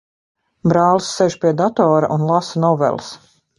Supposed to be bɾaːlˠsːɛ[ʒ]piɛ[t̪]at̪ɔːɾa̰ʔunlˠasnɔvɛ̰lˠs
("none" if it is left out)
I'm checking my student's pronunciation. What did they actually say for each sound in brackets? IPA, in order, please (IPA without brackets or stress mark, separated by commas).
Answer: ʒ, d̪